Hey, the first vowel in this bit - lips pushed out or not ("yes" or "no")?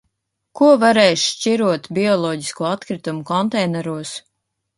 yes